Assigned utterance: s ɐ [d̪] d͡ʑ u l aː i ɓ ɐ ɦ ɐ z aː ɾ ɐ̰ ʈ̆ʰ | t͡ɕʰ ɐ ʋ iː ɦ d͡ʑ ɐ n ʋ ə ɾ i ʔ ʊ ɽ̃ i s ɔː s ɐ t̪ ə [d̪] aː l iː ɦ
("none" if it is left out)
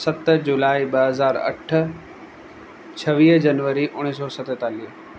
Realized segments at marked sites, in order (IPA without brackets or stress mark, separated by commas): t̪, t̪